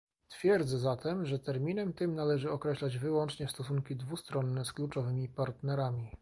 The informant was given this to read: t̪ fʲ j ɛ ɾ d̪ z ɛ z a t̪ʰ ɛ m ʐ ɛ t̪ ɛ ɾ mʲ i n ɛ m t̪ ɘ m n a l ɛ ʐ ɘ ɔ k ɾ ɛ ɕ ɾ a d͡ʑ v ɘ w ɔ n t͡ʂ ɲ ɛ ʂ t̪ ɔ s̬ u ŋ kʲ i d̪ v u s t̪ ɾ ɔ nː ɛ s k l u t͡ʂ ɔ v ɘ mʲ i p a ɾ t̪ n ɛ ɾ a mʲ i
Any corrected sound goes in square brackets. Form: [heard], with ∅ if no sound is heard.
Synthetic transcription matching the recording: t̪ fʲ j ɛ ɾ d̪ z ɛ z a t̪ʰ ɛ m ʐ ɛ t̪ ɛ ɾ mʲ i n ɛ m t̪ ɘ m n a l ɛ ʐ ɘ ɔ k ɾ ɛ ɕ [l] a d͡ʑ v ɘ w ɔ n t͡ʂ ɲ ɛ [s] t̪ ɔ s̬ u ŋ kʲ i d̪ v u s t̪ ɾ ɔ nː ɛ s k l u t͡ʂ ɔ v ɘ mʲ i p a ɾ t̪ n ɛ ɾ a mʲ i